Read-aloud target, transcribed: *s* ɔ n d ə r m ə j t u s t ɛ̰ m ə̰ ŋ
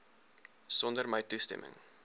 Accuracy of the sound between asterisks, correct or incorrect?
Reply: correct